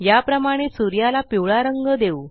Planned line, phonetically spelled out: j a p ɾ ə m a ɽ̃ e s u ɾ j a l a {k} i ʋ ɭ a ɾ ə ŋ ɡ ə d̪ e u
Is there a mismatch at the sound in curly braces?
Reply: yes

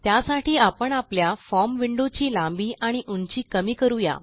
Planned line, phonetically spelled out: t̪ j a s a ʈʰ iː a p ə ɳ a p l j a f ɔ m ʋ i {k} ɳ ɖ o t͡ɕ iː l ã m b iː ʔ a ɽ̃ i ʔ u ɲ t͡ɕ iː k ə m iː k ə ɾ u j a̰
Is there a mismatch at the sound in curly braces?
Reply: yes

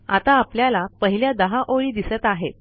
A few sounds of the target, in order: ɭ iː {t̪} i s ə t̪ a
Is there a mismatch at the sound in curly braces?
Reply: yes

